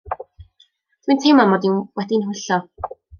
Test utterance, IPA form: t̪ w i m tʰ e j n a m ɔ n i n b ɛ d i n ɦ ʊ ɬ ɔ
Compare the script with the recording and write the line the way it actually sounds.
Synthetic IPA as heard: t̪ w i n tʰ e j m a m ɔ d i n w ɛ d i n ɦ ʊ ɬ ɔ